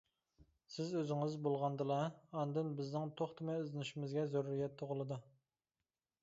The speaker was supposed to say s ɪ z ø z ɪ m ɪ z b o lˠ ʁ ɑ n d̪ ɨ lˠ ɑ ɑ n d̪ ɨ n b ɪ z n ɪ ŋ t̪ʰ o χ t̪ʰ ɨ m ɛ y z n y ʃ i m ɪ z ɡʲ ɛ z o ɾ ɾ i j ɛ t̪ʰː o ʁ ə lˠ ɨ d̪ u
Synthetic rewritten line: s ɪ z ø z ɪ ŋ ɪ z b o lˠ ʁ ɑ n d̪ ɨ lˠ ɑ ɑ n d̪ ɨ n b ɪ z n ɪ ŋ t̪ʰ o χ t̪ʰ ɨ m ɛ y z n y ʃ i m ɪ z ɡʲ ɛ z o ɾ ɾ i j ɛ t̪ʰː o ʁ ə lˠ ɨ d̪ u